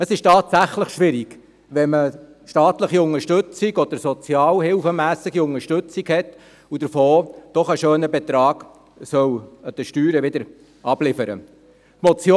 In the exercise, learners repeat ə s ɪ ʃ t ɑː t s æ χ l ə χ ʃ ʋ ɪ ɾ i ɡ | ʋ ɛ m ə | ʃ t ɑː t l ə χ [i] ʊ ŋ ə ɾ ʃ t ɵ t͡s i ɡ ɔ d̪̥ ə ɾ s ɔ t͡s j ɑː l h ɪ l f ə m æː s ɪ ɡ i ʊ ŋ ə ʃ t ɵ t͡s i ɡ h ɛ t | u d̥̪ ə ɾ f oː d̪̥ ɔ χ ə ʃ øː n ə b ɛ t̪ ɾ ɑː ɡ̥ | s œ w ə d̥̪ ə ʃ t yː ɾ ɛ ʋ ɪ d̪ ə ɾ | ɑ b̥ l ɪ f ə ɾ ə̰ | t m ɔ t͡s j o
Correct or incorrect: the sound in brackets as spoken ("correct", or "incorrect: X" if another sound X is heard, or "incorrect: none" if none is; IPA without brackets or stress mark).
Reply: correct